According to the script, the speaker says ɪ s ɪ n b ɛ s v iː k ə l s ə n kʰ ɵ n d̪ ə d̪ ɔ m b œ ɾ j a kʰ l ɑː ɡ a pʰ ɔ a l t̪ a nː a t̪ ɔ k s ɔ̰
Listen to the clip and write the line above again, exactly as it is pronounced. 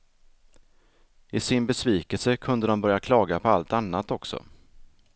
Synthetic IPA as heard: ɪ s ɪ n b ɛ s v iː k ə l s ə kʰ ɵ n d̪ ə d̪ ɔ m b œ ɾ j a kʰ l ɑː ɡ a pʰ ɔ a l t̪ a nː a t̪ ɔ k s ɔ̰